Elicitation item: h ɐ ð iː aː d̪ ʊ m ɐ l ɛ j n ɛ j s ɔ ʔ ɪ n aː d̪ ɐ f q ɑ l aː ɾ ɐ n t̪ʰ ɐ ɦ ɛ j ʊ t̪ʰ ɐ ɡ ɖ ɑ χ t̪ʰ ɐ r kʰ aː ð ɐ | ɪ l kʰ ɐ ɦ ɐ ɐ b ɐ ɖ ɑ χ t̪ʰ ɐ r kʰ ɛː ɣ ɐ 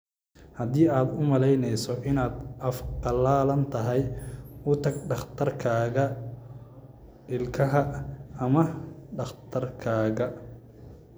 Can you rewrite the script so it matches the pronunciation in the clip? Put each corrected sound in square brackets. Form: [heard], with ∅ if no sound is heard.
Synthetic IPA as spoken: h ɐ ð iː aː d̪ ʊ m ɐ l ɛ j n ɛ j s ɔ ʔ ɪ n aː d̪ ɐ f q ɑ l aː [l] ɐ n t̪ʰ ɐ ɦ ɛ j ʊ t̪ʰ ɐ ɡ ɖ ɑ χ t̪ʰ ɐ r kʰ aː [ɣ] ɐ | ɪ l kʰ ɐ ɦ ɐ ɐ [m] ɐ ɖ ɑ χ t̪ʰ ɐ r kʰ [aː] ɣ ɐ